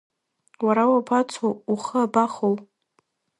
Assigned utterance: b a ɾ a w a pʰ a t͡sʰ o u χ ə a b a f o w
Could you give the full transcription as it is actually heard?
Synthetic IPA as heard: w a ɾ a w a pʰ a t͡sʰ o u χ ə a b a χ o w